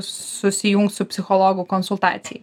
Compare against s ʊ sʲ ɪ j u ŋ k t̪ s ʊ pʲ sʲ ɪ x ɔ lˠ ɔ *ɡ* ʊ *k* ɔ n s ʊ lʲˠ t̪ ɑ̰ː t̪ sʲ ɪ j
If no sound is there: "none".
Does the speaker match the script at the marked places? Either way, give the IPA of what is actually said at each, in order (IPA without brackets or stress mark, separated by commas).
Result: ɡ, k